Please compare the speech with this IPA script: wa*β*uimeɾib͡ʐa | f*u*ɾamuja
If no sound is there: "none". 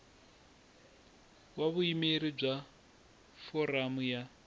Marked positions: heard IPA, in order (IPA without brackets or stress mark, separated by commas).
β, ɔ